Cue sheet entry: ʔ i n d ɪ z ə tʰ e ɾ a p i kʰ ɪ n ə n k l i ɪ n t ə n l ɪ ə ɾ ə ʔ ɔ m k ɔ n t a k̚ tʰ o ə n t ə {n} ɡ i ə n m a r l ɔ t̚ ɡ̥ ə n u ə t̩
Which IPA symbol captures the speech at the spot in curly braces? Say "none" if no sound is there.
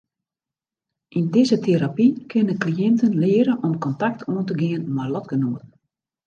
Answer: none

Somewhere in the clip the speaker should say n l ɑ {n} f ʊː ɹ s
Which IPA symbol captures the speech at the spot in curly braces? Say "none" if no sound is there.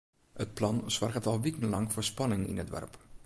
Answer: ŋ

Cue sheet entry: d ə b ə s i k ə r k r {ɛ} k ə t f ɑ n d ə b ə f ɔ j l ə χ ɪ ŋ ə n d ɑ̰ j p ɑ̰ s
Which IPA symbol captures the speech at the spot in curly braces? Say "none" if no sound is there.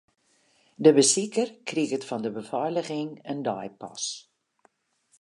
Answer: i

